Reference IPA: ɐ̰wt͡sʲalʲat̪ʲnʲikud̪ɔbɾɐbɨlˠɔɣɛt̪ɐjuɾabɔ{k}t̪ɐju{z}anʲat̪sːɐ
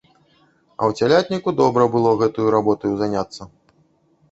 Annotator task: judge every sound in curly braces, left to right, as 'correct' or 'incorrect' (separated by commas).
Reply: incorrect, correct